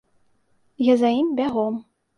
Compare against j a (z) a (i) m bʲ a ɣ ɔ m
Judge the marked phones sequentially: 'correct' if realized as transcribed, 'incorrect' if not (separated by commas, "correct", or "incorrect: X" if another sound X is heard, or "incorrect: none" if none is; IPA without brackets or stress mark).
correct, correct